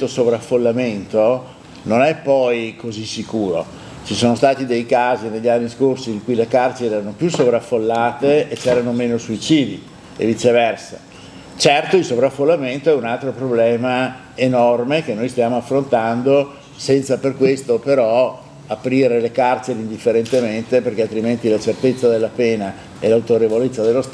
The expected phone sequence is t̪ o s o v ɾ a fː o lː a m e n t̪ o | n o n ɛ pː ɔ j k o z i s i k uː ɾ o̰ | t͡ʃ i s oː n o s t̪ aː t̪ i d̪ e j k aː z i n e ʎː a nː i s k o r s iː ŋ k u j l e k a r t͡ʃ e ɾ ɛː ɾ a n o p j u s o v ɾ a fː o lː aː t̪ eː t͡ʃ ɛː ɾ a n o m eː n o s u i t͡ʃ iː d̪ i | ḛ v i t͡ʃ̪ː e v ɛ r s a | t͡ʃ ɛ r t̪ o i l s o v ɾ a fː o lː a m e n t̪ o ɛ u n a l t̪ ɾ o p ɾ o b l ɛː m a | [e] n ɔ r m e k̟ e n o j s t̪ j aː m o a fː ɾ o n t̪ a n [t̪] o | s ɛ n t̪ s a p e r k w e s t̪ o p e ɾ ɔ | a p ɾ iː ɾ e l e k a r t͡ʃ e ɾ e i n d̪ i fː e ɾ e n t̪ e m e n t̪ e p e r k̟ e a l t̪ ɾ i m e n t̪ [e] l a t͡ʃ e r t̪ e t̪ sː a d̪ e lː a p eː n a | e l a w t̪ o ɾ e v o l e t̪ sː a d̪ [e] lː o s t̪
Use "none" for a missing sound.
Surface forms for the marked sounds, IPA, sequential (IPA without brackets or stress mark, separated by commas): e, d̪, i, e